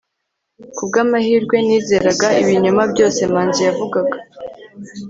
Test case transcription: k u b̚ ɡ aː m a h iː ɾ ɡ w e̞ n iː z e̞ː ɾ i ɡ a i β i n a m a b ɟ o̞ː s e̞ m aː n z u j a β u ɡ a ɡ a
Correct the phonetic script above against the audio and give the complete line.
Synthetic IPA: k u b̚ ɡ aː m a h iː ɾ ɡ w e̞ n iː z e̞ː ɾ a ɡ a i β i ɲ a m a b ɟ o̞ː s e̞ m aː n z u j a v u ɡ a ɡ a